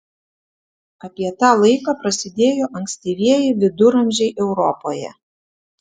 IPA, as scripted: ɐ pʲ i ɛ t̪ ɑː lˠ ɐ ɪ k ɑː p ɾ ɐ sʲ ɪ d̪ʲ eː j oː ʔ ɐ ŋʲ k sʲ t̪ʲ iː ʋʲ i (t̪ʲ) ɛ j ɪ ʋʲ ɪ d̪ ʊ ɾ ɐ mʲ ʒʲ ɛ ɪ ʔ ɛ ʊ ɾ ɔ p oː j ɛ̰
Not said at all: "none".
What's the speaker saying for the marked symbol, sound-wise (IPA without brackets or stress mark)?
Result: none